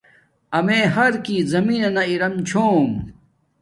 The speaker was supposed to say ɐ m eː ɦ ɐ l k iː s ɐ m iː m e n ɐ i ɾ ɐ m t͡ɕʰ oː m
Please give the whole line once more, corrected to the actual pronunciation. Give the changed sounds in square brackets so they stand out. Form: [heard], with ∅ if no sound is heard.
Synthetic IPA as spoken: ɐ m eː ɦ ɐ [ɾ] k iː [z] ɐ m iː [n] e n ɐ i ɾ ɐ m t͡ɕʰ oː m